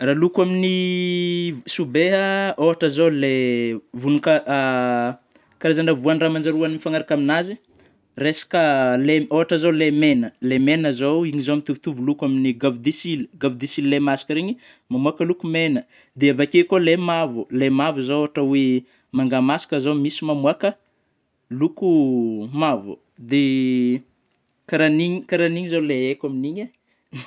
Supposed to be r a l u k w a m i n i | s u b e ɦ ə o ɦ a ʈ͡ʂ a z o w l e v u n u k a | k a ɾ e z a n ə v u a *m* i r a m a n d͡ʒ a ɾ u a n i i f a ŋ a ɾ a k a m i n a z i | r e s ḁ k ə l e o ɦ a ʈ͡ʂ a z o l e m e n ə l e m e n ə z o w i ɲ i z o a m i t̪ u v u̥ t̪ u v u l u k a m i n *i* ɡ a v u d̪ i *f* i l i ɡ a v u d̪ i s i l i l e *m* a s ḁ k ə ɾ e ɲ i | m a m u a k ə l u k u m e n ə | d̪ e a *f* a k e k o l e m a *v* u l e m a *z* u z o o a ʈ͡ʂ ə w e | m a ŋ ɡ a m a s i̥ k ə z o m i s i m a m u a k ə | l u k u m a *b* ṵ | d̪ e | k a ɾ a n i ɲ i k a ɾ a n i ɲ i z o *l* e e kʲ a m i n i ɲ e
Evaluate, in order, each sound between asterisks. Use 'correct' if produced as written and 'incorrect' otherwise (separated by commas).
incorrect, correct, incorrect, correct, incorrect, correct, incorrect, incorrect, correct